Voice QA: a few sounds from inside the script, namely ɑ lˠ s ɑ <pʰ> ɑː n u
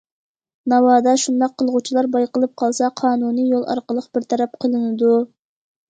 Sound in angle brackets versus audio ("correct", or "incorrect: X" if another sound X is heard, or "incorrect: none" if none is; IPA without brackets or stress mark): incorrect: qʰ